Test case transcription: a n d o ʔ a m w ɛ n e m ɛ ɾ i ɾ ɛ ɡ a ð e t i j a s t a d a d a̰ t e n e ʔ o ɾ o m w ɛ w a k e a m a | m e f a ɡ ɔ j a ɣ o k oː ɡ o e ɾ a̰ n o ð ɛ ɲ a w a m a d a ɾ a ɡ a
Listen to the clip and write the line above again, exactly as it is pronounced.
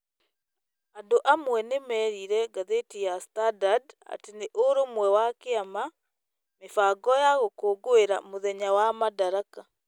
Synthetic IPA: a n d o ʔ a m w ɛ n e m ɛ ɾ i ɾ ɛ ɡ a ð e t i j a s t a d a d a̰ t e n e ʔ o ɾ o m w ɛ w a k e a m a | m e f a ɡ ɔ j a ɣ o k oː ɡ o e ɾ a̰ m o ð ɛ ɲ a w a m a d a ɾ a k a